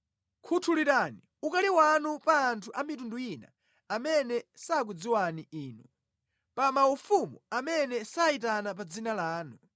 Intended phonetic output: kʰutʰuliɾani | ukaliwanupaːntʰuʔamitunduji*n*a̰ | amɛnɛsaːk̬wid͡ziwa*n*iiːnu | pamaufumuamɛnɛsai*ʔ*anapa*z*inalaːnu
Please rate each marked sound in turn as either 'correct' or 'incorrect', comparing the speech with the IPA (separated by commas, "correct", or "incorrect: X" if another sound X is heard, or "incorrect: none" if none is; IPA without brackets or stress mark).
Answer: correct, correct, incorrect: t, incorrect: d͡z